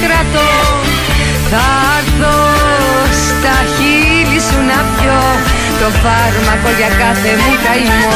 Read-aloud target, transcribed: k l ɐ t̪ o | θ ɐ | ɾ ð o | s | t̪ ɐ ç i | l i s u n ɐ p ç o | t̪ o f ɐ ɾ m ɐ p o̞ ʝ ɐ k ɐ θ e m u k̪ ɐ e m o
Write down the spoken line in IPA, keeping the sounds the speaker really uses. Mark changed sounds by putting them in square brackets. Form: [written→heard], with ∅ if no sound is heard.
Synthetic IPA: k [l→ɾ] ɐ t̪ o | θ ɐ | ɾ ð o | s | t̪ ɐ ç i | l i s u n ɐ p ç o | t̪ o f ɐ ɾ m ɐ [p→k] o̞ ʝ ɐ k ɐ θ e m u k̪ ɐ [e→i] m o